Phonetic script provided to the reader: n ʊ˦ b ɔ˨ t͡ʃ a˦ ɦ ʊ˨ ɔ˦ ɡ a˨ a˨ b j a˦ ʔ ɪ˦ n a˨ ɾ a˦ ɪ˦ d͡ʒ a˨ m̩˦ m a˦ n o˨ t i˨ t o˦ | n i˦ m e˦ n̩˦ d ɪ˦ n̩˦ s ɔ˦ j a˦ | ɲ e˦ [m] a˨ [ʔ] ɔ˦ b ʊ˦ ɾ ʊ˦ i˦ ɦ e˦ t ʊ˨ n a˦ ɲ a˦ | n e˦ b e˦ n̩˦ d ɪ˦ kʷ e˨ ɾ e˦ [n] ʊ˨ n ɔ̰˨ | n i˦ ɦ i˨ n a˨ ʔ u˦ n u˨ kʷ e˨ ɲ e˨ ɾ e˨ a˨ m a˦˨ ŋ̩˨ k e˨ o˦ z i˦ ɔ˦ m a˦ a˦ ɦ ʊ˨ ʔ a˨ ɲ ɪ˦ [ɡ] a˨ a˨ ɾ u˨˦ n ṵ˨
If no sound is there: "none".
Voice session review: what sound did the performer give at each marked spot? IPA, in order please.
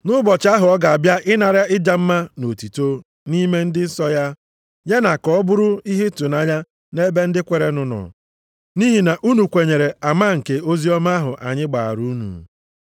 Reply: n, k, n, ɡ͡b

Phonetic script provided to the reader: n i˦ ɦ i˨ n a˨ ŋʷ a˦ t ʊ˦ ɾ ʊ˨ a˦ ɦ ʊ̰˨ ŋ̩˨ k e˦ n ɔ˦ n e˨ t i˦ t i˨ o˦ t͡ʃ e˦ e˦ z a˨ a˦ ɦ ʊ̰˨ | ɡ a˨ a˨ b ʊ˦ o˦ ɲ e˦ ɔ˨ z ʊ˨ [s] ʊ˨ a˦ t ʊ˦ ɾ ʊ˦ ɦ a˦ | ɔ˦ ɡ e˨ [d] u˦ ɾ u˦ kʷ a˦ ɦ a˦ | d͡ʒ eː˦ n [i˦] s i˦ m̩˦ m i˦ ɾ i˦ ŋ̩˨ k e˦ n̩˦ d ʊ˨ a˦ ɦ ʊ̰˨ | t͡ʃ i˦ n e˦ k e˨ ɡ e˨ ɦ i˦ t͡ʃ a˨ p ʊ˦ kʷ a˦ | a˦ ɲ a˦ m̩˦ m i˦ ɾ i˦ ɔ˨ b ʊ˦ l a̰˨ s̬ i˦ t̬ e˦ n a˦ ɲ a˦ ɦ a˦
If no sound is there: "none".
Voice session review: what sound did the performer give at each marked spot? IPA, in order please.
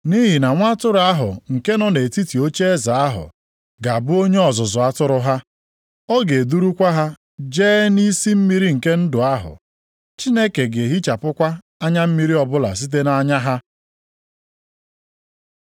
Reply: z, d, i˦

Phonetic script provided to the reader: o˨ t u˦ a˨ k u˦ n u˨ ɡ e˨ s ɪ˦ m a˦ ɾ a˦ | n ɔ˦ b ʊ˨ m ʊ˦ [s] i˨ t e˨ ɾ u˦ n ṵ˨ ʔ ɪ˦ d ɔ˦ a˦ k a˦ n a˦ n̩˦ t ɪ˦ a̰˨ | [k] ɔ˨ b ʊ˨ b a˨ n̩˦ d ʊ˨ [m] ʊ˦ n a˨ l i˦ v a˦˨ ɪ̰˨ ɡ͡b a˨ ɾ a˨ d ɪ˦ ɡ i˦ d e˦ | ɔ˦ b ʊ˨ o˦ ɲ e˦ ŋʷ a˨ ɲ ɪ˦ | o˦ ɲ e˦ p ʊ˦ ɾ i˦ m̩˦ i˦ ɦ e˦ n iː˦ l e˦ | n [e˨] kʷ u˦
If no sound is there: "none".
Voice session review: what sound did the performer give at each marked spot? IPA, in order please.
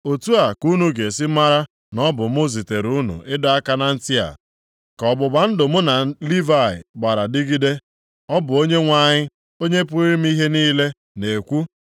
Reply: z, k, m, e˨

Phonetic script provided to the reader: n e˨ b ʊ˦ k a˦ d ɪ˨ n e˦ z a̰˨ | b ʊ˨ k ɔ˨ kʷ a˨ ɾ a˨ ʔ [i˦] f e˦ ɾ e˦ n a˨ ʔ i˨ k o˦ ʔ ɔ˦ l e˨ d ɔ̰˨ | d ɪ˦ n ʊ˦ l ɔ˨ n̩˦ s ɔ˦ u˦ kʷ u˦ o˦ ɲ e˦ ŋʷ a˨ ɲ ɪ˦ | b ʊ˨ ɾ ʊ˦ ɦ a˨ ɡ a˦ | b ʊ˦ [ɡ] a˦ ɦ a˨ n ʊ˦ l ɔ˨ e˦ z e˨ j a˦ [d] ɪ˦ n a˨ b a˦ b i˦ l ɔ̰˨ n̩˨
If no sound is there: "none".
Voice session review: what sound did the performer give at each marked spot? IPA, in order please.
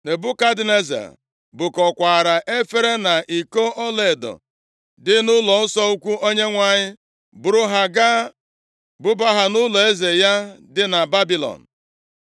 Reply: e˦, b, d

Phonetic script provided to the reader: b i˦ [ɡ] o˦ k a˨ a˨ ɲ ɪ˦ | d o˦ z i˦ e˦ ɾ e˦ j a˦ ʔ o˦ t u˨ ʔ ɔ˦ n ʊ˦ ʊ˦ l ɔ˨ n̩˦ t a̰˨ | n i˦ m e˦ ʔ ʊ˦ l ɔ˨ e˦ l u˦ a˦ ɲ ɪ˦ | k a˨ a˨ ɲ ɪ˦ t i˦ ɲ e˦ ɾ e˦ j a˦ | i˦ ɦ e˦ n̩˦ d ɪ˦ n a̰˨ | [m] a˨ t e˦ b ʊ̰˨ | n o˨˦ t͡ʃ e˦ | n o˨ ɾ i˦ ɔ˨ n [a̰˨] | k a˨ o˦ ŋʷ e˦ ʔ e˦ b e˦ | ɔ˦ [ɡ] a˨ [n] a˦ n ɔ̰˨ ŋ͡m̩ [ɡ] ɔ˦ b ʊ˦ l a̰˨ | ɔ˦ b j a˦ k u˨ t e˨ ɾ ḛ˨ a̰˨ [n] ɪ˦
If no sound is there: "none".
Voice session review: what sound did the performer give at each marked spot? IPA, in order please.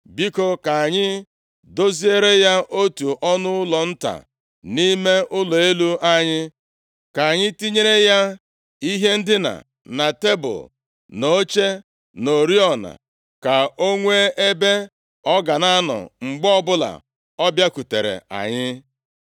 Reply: k, n, a̰˨, ɡ, n, ɡ͡b, ɲ

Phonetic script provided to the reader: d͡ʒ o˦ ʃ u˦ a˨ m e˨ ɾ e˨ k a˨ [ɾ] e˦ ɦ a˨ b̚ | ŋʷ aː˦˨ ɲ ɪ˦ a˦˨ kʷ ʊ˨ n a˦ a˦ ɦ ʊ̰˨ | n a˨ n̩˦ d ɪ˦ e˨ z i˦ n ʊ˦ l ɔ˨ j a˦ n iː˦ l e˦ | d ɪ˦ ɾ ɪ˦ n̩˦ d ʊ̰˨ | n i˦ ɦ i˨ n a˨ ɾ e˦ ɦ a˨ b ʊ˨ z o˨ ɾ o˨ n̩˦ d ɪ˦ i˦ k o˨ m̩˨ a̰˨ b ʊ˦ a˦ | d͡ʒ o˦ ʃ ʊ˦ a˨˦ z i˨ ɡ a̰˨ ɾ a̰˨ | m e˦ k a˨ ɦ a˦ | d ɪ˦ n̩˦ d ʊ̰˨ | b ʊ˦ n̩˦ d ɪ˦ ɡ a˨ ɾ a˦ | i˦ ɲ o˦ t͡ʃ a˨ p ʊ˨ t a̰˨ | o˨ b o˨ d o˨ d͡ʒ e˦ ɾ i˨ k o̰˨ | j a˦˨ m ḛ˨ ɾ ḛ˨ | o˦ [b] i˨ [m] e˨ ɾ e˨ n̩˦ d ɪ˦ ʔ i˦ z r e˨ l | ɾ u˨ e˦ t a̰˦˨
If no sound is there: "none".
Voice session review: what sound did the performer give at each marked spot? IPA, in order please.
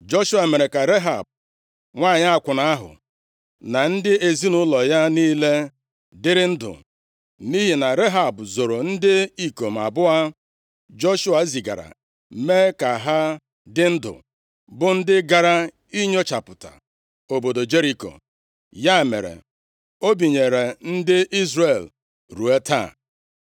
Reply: ɾ, b, ɲ

